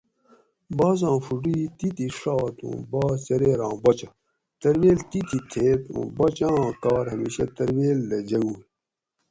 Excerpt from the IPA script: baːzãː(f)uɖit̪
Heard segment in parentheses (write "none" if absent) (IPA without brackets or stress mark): f